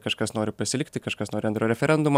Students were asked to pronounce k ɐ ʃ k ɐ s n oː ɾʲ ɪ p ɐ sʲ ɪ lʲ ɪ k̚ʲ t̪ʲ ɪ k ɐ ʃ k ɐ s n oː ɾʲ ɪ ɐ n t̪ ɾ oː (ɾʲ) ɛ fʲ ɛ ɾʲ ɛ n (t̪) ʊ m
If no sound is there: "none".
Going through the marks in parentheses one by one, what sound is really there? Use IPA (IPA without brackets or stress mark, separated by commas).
ɾʲ, d̪